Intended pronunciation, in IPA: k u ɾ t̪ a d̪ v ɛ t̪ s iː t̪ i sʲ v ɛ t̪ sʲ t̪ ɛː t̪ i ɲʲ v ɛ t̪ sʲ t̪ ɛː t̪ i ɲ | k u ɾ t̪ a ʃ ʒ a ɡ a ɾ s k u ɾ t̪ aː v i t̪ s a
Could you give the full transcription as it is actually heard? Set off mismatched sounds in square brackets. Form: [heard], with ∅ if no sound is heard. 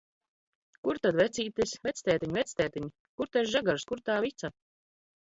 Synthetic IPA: k u ɾ t̪ a d̪ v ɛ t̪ s iː t̪ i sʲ v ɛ t̪ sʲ t̪ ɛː t̪ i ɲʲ v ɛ t̪ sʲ t̪ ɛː t̪ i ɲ | k u ɾ t̪ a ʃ ʒ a ɡ a ɾ s k u ɾ t̪ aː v i t̪ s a